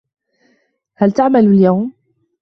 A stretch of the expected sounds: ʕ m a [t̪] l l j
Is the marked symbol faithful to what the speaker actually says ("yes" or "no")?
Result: no